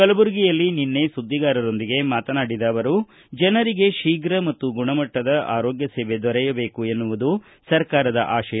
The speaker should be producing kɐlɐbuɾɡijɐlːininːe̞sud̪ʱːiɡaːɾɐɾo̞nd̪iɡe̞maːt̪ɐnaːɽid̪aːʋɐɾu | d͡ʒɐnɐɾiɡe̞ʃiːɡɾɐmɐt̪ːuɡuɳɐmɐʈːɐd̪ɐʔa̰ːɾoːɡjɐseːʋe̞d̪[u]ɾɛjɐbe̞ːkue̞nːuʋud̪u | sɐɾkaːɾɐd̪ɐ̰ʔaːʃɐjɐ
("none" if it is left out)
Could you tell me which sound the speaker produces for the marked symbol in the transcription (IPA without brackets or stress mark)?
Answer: ɔ